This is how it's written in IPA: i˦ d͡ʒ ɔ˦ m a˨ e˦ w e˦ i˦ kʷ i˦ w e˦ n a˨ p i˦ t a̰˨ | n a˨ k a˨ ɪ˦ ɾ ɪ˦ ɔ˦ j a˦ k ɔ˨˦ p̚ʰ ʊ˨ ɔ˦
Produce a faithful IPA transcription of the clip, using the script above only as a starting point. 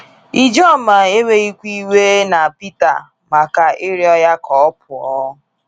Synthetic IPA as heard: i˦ d͡ʒ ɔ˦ m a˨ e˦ w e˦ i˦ kʷ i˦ w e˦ n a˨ p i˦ t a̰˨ | m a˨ k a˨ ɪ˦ ɾ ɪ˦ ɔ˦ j a˦ k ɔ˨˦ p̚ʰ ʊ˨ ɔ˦